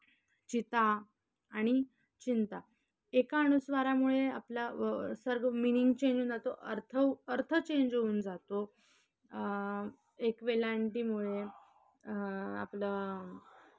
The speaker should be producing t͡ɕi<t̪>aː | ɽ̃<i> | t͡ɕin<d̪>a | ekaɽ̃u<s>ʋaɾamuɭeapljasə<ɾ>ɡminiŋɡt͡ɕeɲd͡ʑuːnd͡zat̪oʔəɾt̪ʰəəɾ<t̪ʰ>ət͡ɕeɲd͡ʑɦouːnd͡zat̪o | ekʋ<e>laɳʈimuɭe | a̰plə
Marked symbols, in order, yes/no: yes, yes, no, yes, yes, yes, yes

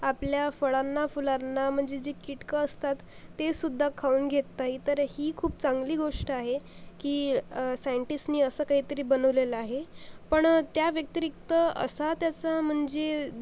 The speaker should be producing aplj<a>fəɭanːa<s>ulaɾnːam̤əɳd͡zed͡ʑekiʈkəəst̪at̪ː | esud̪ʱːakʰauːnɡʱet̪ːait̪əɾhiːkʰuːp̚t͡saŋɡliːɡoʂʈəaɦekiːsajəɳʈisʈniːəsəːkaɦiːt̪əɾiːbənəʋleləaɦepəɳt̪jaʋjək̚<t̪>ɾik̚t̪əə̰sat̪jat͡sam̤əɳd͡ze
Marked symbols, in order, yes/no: yes, no, yes

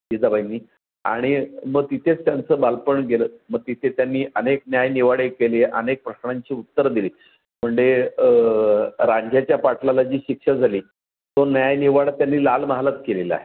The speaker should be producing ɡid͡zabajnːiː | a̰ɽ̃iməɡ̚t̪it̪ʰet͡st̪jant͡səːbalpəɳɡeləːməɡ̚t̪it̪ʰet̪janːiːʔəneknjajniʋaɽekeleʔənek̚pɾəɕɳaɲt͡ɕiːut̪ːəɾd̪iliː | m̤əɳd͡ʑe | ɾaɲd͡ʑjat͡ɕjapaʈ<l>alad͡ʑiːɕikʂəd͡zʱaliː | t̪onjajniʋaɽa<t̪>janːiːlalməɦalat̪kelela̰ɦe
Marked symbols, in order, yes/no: yes, yes

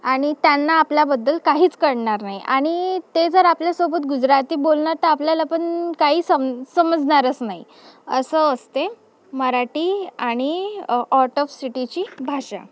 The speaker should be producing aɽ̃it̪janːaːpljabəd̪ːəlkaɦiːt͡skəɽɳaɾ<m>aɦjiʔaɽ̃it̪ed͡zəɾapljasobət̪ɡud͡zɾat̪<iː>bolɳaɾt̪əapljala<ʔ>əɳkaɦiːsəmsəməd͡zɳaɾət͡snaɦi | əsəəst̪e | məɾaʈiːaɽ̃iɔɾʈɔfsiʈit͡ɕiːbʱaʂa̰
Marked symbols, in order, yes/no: no, yes, no

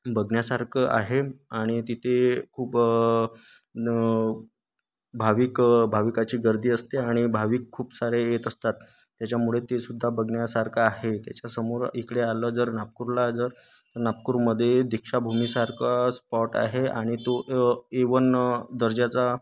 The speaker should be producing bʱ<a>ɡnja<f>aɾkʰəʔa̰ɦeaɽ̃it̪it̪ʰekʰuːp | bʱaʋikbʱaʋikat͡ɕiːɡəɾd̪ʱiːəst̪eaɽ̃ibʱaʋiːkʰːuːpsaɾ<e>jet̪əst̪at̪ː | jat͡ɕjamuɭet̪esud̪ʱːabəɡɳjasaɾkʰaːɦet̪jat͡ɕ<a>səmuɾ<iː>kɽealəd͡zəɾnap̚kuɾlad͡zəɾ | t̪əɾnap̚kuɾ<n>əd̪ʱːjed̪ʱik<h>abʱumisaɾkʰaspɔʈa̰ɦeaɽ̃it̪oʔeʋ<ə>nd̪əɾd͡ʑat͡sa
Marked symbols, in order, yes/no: no, no, yes, yes, no, no, no, yes

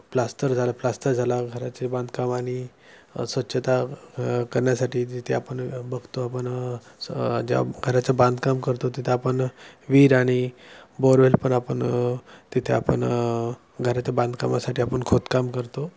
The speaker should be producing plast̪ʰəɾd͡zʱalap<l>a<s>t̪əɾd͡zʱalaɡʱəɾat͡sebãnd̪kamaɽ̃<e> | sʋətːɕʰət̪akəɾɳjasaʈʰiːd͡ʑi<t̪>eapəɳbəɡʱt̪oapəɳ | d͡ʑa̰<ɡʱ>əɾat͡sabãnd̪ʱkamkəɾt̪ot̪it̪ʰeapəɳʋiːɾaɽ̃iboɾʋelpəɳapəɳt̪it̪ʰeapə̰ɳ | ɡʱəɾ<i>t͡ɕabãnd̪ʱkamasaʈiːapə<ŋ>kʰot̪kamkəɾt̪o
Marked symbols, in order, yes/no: yes, yes, no, no, yes, no, no

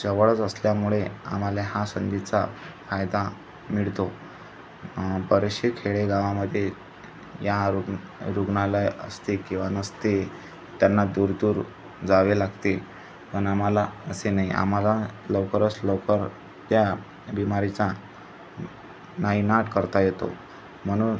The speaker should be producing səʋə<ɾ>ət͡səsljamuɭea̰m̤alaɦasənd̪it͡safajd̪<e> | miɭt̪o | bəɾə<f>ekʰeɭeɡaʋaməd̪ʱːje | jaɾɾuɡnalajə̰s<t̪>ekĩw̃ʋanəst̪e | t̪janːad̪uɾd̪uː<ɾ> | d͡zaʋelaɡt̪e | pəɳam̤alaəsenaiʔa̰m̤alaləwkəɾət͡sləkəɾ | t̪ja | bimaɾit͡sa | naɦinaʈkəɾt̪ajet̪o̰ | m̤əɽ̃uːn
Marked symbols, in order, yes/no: no, no, no, yes, yes

